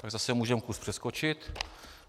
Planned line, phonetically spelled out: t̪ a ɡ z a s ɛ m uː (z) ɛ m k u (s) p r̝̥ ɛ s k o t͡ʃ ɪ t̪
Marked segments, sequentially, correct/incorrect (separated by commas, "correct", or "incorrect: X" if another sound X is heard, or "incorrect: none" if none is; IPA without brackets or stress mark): incorrect: ʒ, correct